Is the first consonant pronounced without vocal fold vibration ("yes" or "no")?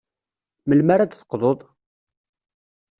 no